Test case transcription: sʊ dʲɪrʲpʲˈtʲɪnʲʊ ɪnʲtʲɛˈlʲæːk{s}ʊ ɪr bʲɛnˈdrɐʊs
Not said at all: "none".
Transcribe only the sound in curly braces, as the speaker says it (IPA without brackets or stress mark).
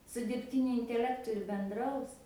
t